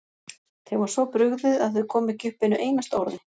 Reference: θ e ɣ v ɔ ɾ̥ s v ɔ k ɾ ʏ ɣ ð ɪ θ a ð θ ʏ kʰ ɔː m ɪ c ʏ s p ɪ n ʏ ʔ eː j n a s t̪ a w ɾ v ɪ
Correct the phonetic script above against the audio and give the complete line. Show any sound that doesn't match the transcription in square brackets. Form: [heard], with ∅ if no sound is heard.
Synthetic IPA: θ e ɣ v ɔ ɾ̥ s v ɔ [p] ɾ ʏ ɣ ð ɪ [ð] a ð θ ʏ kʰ ɔː m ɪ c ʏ [h] p ɪ n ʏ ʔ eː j n a s t̪ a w ɾ [ð] ɪ